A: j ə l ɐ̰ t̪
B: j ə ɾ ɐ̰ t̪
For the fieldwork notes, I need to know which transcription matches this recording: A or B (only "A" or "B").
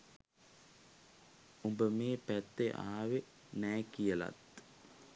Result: A